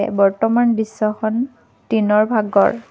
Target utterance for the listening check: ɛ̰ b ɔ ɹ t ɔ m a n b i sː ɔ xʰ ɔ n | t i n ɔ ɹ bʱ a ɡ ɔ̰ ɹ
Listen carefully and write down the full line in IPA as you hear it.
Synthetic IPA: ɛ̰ b ɔ ɹ t ɔ m a n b i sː ɔ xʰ ɔ n | t i n ɔ ɹ bʱ a ɡ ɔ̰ ɹ